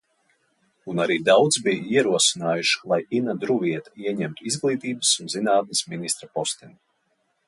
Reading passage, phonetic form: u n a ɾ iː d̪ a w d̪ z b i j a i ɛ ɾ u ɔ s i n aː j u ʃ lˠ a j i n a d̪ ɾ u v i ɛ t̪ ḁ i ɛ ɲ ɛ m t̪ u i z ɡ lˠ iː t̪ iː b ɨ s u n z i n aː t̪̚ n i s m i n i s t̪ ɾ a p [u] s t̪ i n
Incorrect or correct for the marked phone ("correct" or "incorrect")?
incorrect